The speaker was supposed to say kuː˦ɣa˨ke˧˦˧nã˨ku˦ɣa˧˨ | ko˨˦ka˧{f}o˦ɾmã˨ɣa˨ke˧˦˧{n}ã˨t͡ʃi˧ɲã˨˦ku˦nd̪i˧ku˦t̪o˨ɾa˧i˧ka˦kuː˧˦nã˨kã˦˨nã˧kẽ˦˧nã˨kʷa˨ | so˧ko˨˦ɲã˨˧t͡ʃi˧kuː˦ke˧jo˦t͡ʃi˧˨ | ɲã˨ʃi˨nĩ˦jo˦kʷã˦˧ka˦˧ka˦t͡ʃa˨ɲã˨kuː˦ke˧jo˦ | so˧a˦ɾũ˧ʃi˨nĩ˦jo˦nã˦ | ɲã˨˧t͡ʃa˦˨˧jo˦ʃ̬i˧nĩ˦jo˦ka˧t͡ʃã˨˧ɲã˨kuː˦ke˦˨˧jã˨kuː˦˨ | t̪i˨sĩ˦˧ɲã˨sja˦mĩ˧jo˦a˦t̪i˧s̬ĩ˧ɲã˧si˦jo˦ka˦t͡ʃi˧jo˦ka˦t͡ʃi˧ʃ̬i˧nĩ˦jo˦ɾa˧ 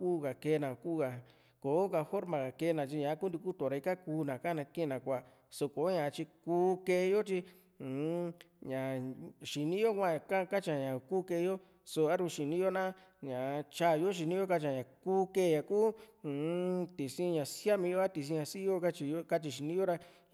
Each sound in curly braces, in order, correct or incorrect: correct, correct

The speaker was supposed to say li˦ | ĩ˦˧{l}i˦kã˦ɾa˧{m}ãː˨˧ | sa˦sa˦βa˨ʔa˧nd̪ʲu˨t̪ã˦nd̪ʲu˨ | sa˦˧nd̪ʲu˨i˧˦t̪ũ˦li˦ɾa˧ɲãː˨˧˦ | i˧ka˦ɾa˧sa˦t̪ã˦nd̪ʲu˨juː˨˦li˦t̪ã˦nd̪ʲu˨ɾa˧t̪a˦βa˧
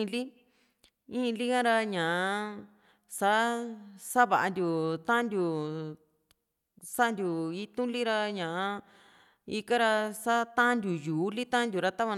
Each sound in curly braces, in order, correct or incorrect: correct, incorrect: ɲ

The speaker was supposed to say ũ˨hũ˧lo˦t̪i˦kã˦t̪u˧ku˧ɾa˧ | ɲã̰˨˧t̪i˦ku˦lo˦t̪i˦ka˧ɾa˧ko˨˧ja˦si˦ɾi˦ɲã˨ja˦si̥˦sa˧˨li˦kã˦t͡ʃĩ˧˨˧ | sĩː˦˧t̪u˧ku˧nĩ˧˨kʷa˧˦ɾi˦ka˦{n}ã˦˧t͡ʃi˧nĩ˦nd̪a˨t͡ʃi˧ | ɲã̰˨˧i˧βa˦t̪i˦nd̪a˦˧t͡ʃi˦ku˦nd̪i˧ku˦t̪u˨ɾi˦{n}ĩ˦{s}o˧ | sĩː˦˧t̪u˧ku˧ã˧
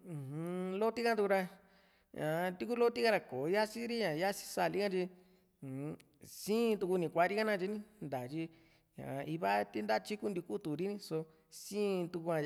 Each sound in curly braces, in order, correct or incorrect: correct, correct, correct

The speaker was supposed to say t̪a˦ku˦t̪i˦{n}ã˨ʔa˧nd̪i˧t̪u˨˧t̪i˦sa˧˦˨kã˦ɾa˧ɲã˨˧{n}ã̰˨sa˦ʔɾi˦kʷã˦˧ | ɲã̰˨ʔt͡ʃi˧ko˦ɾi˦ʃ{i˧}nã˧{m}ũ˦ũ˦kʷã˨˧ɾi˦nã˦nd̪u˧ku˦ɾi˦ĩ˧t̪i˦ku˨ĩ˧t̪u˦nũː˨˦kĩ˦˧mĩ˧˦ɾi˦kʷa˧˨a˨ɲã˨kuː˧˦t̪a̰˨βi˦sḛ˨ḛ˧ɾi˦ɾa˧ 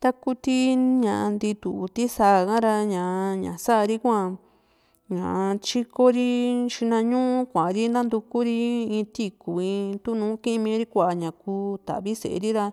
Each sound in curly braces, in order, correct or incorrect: incorrect: ɲ, incorrect: ɲ, correct, incorrect: ɲ

